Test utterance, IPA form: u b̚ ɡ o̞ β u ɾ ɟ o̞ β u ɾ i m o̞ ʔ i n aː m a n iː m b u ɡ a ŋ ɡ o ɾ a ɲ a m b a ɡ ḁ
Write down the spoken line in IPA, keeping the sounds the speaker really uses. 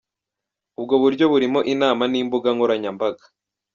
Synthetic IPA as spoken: u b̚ ɡ o̞ β u ɾ ɟ o̞ β u ɾ i m o̞ ʔ i n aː m a n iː m b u ɡ a ŋ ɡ o ɾ a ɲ a m b a ɡ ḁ